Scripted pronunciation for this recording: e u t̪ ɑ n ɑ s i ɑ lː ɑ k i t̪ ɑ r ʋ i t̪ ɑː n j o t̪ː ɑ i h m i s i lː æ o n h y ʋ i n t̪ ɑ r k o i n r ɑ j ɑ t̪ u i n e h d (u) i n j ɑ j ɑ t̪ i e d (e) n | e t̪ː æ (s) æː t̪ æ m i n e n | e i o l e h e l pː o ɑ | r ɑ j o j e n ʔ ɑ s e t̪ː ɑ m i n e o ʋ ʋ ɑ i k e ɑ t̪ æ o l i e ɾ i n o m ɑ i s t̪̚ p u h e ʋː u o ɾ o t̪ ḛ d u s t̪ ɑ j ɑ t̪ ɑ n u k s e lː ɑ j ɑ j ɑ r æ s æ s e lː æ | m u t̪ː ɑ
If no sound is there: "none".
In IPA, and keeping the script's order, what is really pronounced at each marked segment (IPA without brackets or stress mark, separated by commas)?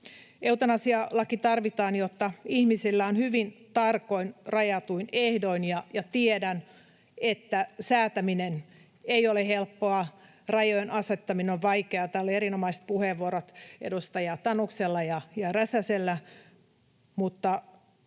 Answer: o, æ, s